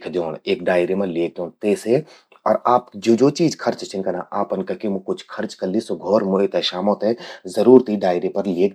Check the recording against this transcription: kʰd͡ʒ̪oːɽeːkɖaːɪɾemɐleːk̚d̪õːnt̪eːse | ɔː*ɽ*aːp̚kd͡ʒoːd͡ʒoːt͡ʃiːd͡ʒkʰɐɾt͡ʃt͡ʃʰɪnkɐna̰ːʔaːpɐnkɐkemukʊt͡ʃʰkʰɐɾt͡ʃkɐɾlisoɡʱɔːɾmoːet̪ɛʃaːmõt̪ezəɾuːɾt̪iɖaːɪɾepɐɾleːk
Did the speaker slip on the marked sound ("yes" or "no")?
yes